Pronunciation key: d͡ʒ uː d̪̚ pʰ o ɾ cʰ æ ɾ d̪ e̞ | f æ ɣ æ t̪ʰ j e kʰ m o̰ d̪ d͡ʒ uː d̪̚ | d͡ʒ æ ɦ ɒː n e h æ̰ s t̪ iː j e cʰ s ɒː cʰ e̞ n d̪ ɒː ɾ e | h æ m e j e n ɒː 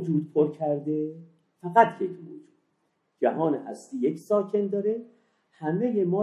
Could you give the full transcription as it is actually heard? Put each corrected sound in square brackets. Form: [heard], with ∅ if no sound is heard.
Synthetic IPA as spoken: d͡ʒ uː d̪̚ pʰ o ɾ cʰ æ ɾ d̪ e̞ | f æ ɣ æ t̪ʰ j e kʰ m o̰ [∅] d͡ʒ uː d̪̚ | d͡ʒ æ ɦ ɒː n e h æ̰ s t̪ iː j e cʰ s ɒː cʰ e̞ n d̪ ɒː ɾ e | h æ m e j e [m] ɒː